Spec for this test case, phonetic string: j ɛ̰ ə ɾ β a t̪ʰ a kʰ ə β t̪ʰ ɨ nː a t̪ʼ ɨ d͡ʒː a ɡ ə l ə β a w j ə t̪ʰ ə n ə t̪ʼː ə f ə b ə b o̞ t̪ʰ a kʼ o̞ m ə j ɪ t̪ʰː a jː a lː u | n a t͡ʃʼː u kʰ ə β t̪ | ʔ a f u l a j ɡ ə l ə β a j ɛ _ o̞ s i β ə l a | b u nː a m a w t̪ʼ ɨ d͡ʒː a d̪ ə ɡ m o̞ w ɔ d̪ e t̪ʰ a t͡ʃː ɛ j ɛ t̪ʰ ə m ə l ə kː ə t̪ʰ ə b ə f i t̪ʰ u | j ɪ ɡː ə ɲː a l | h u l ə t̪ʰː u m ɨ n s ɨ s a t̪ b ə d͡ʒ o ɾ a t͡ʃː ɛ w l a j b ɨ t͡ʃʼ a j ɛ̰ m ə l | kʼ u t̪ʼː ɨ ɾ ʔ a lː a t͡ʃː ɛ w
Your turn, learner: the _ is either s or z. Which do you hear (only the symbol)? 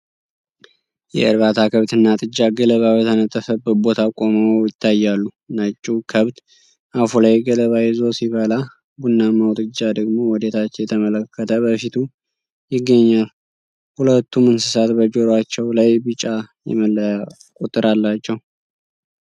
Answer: z